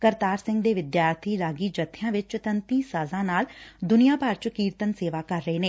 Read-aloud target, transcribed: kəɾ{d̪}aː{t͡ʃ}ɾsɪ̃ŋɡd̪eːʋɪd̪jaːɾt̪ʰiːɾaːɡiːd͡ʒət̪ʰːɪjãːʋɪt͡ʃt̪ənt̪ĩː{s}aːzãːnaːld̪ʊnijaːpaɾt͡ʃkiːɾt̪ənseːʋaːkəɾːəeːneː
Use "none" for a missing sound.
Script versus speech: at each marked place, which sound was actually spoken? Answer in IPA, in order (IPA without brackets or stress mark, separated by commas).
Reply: t̪, none, s